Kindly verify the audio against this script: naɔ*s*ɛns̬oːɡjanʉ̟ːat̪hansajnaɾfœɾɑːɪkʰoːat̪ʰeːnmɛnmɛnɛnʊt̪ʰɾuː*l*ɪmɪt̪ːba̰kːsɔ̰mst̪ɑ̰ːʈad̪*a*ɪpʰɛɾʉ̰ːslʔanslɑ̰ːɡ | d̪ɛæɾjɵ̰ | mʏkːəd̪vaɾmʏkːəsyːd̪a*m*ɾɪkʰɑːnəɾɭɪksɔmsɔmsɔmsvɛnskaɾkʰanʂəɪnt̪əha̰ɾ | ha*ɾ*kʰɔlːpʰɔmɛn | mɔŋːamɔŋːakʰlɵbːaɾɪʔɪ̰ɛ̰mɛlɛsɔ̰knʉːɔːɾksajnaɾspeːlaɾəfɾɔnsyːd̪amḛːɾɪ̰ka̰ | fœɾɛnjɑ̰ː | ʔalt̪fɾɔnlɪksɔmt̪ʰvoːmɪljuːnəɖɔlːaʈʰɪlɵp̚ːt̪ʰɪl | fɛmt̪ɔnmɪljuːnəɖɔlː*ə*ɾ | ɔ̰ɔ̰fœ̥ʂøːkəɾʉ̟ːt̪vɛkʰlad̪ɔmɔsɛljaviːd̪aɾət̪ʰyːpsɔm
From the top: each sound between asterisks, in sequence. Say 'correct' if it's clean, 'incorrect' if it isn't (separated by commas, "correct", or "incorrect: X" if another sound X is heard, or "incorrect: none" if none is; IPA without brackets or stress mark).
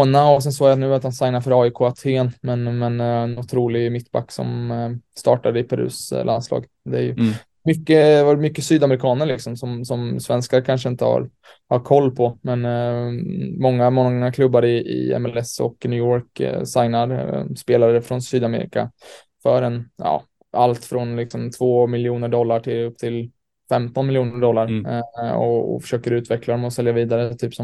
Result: correct, correct, incorrect: ə, correct, correct, incorrect: a